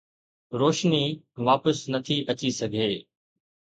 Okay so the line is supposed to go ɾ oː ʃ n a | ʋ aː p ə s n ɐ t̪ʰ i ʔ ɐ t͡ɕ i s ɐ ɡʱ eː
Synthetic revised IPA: ɾ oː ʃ n i | ʋ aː p ə s n ɐ t̪ʰ i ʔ ɐ t͡ɕ i s ɐ ɡʱ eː